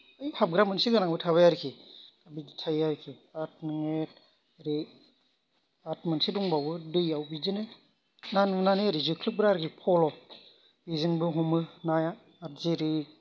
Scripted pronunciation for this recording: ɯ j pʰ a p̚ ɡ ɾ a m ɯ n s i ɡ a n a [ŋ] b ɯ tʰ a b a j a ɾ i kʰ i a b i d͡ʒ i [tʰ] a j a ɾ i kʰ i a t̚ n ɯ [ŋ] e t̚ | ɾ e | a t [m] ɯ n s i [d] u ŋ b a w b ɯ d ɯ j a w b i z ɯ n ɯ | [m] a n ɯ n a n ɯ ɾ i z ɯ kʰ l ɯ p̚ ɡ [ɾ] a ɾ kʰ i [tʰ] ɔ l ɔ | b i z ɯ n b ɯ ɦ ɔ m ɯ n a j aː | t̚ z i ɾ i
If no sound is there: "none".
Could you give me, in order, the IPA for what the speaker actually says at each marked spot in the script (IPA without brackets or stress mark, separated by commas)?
ŋ, tʰ, ŋ, m, d, n, ɾ, pʰ